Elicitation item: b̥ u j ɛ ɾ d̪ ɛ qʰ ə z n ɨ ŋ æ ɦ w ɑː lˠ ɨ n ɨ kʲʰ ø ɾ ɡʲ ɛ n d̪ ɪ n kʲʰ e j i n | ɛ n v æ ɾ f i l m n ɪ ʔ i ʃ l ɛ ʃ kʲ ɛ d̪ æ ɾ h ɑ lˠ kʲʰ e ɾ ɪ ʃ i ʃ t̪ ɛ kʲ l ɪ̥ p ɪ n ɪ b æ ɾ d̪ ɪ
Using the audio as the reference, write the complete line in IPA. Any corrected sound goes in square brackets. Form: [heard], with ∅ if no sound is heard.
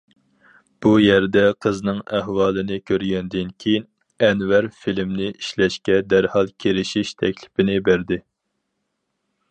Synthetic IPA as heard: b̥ u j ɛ ɾ d̪ ɛ qʰ ə z n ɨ ŋ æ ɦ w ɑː lˠ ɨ n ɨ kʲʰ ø ɾ ɡʲ ɛ n d̪ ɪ n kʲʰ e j i n | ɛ n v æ ɾ f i l m n ɪ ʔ i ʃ l ɛ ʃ kʲ ɛ d̪ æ ɾ h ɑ lˠ kʲʰ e ɾ ɪ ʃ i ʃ [t̪ʰ] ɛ kʲ l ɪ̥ p ɪ n ɪ b æ ɾ d̪ ɪ